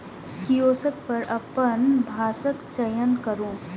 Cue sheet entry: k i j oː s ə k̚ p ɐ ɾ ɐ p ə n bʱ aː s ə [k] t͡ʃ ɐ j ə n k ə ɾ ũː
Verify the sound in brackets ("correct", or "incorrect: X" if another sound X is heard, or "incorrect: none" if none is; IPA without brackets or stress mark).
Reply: correct